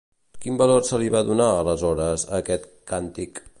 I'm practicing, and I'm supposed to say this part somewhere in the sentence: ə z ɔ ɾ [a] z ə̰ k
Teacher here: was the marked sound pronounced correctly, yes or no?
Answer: no